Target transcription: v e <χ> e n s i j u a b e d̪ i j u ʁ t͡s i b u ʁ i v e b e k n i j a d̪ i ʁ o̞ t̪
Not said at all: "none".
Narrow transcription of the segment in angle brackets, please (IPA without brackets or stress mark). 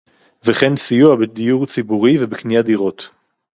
χ